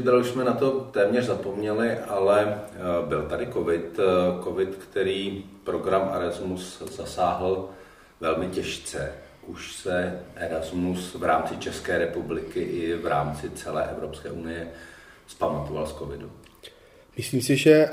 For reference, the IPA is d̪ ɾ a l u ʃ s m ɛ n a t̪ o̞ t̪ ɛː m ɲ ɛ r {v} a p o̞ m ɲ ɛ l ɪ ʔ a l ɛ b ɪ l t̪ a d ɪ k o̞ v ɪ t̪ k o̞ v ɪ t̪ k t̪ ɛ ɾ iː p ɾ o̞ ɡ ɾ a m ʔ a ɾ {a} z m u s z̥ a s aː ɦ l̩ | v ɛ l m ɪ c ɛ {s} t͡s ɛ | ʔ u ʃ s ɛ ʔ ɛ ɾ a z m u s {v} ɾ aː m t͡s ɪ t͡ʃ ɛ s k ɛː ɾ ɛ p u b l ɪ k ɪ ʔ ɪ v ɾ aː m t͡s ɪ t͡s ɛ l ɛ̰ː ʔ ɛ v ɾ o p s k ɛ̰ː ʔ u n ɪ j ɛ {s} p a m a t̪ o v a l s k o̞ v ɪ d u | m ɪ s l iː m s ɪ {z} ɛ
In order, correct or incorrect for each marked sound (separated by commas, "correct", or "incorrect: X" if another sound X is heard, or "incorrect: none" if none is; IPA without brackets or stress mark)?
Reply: incorrect: z, correct, incorrect: ʃ, correct, correct, incorrect: ʒ